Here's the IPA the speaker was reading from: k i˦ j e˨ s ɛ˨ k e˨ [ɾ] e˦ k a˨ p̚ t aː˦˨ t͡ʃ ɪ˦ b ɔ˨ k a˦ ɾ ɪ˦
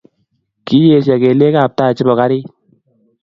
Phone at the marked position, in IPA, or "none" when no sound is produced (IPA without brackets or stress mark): l